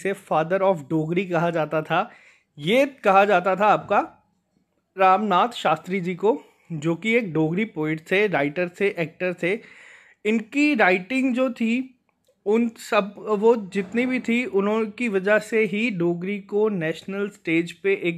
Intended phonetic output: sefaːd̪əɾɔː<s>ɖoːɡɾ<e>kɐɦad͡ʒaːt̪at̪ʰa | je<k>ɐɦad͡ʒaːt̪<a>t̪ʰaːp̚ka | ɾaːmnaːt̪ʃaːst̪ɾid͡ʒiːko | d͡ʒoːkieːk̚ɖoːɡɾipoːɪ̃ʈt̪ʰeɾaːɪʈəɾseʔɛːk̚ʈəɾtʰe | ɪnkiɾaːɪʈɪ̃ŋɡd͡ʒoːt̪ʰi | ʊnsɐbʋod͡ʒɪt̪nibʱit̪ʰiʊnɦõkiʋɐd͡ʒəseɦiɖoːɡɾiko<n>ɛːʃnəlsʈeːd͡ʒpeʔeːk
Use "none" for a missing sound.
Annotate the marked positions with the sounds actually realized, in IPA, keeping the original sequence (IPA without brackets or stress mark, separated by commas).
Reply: f, i, k, a, n